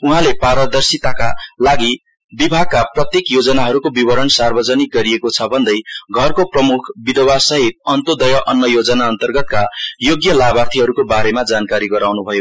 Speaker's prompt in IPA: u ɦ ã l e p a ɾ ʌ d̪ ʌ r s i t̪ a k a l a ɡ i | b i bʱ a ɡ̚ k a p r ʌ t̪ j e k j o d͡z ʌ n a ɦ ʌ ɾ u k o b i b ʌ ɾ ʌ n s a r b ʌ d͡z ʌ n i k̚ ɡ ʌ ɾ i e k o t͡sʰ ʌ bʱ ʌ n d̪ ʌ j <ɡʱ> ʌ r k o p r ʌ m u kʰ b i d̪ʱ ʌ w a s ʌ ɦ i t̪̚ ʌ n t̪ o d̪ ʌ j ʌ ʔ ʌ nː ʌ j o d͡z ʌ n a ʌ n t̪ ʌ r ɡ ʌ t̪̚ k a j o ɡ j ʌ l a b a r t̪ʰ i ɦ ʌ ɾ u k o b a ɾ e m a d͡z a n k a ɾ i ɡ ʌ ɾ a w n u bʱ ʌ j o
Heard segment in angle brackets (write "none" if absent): ɡʱ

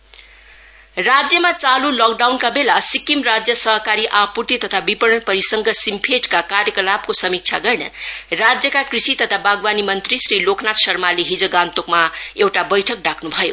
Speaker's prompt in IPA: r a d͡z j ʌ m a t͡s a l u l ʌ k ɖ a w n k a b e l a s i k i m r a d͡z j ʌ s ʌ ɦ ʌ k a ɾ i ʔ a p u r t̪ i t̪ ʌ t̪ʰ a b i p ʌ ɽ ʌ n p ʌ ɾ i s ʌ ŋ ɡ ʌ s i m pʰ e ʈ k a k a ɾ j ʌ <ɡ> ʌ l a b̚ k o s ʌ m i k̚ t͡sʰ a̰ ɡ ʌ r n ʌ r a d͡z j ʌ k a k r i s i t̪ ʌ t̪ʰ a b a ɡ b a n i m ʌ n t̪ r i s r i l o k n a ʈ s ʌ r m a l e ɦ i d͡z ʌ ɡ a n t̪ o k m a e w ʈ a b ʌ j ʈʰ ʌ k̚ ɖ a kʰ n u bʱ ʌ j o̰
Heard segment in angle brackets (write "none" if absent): k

